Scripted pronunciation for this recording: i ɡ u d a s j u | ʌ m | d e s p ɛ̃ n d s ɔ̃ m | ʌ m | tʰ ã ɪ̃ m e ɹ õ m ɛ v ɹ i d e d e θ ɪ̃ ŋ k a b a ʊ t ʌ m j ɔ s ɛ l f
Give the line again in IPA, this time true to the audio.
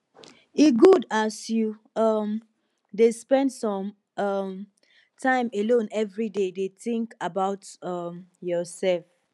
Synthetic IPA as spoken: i ɡ u d a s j u | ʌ m | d e s p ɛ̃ n d s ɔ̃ m | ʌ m | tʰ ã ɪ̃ m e l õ n ɛ v ɹ i d e d e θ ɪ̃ ŋ k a b a ʊ t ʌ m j ɔ s ɛ l f